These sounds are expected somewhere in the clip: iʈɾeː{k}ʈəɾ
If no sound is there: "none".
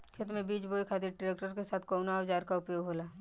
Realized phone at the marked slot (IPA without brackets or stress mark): k